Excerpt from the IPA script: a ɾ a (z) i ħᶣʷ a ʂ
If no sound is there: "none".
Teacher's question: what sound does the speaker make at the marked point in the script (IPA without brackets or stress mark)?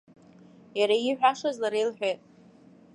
none